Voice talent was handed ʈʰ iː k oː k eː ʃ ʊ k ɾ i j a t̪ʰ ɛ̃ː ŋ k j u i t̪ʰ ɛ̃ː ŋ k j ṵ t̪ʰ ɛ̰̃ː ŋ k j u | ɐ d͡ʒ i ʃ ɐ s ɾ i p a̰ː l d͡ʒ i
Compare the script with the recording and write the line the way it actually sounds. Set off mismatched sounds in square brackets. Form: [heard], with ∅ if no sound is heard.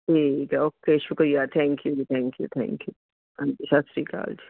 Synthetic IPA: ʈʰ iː k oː k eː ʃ ʊ k ɾ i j a t̪ʰ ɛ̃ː ŋ k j u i t̪ʰ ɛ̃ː ŋ k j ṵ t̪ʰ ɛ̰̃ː ŋ k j u | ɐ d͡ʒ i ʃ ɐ s ɾ i [k] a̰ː l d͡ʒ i